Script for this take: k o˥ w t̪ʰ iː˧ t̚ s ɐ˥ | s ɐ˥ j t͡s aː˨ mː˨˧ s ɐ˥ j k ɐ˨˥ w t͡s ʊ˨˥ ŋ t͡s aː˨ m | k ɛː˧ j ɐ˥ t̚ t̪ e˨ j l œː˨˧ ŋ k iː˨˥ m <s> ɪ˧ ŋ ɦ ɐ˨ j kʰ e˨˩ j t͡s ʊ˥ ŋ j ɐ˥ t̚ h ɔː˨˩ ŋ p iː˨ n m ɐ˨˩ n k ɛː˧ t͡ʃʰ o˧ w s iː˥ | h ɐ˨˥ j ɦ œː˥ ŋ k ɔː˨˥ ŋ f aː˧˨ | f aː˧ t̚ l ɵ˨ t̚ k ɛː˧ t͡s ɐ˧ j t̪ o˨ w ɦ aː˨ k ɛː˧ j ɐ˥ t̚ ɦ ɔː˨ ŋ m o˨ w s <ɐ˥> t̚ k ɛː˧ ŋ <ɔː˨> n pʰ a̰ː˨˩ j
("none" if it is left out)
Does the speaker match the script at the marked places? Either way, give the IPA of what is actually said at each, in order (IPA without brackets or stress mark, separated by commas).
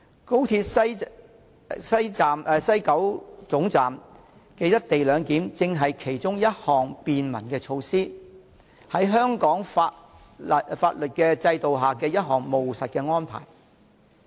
t͡s, ɐ˨, ɔː˥